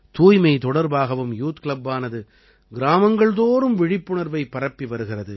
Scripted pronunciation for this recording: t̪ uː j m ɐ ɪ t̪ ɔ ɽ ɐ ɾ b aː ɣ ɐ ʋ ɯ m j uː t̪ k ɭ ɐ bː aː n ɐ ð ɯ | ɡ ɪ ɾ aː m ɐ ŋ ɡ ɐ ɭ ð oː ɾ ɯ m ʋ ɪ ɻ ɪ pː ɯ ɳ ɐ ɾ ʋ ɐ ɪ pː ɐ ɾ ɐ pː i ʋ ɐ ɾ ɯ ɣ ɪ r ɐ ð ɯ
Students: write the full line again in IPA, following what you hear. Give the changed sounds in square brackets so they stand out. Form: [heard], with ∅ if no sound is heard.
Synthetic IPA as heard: t̪ uː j m ɐ ɪ t̪ ɔ ɽ ɐ ɾ b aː ɣ ɐ ʋ ɯ m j uː t̪ k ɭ ɐ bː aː n ɐ ð ɯ | ɡ ɪ ɾ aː m ɐ ŋ ɡ ɐ ɭ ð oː ɾ ɯ m ʋ ɪ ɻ ɪ pː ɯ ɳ ɐ ɾ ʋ ɐ ɪ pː ɐ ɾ ɐ pː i ʋ ɐ ɾ ɯ ɣ ɪ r ɐ ð ɯ